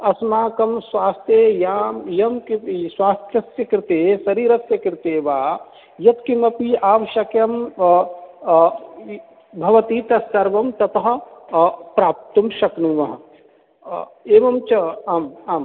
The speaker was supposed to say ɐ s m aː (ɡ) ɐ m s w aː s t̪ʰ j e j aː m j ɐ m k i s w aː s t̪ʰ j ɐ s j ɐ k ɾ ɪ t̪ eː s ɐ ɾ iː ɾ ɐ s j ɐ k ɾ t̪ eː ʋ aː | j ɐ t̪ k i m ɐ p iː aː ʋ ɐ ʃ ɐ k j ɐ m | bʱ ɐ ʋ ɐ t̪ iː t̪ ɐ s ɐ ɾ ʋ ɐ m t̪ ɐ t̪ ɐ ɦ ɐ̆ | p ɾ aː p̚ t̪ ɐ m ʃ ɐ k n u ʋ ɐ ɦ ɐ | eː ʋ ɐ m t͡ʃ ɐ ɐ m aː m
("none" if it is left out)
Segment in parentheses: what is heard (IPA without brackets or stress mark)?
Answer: k